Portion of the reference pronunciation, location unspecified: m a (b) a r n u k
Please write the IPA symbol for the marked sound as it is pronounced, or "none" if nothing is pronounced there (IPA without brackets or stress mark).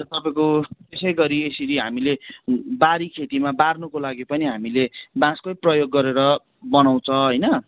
b